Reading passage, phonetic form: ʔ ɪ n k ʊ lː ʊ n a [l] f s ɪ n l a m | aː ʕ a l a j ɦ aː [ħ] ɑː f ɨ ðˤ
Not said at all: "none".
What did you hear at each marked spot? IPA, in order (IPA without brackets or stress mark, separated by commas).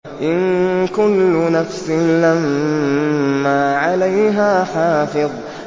none, ħ